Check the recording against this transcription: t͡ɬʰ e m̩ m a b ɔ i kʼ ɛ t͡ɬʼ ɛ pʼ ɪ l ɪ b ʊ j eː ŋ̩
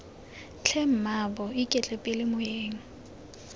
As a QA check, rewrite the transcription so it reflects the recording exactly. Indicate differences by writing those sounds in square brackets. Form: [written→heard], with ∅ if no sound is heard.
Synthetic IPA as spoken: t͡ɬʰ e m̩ m a b ɔ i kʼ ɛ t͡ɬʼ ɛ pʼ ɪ l ɪ [b→m] ʊ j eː ŋ̩